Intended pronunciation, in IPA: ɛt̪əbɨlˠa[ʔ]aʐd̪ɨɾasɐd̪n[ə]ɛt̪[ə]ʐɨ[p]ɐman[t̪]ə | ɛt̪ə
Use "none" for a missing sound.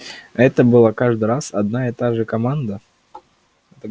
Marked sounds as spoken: k, a, a, k, d̪

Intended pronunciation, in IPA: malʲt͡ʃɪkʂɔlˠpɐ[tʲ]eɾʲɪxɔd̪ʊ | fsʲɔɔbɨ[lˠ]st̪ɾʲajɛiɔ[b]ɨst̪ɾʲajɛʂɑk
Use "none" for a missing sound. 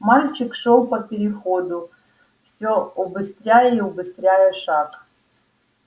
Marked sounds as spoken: pʲ, none, b

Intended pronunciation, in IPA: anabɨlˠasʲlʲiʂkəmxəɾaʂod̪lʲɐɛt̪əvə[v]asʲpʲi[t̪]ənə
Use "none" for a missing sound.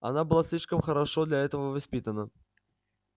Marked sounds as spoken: v, t̪

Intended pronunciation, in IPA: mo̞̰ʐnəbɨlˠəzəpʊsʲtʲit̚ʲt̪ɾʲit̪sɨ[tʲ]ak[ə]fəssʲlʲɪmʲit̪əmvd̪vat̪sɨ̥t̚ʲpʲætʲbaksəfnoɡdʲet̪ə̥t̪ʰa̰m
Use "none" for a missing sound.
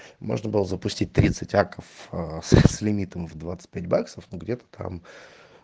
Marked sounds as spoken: tʲ, ə

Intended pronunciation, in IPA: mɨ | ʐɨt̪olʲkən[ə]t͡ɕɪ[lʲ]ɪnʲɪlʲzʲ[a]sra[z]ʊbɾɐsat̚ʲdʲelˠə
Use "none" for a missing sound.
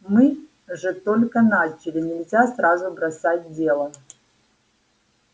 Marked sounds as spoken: a, lʲ, a, z

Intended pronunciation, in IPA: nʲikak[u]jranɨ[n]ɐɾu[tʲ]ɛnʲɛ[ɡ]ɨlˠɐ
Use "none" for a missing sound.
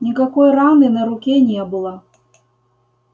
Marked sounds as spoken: ɔ, n, kʲ, b

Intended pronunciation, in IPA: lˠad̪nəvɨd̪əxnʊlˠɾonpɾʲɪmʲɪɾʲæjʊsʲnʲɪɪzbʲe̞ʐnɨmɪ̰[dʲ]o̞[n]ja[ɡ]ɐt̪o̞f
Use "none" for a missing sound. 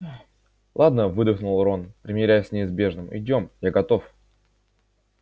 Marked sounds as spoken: dʲ, m, ɡ

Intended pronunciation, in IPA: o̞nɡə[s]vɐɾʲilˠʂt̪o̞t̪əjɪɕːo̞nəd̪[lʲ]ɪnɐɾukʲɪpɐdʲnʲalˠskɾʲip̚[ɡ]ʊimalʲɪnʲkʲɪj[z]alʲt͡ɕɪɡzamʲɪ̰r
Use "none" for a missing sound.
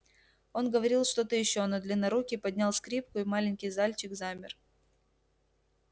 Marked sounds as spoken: none, lʲ, k, z

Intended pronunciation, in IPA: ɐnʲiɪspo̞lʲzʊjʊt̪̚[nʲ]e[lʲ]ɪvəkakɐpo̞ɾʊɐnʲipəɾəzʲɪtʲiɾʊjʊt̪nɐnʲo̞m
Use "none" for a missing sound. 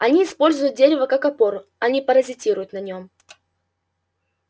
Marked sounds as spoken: dʲ, ɾʲ

